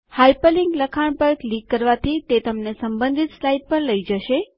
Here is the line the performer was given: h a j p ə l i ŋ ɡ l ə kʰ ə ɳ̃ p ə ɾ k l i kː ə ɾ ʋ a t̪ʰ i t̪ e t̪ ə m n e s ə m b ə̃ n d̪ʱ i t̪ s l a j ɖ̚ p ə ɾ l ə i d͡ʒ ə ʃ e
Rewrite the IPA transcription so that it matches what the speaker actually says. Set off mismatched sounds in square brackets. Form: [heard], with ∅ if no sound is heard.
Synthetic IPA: h a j p ə l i ŋ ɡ l ə kʰ [a] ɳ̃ p ə ɾ k l i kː ə ɾ ʋ a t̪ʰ i t̪ e t̪ ə m n e s ə m b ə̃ n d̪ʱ i t̪ s l a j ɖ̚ p ə ɾ l ə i d͡ʒ ə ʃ e